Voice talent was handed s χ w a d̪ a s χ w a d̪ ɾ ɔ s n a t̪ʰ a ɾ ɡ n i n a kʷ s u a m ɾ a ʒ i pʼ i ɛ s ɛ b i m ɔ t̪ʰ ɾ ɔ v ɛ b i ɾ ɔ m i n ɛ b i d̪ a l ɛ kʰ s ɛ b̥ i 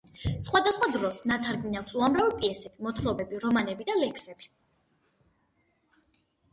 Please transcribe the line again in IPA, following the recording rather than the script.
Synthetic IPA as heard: s χ w a d̪ a s χ w a d̪ ɾ ɔ s n a t̪ʰ a ɾ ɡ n i n a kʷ s u a m ɾ a v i pʼ i ɛ s ɛ b i m ɔ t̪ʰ ɾ ɔ b ɛ b i ɾ ɔ m a n ɛ b i d̪ a l ɛ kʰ s ɛ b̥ i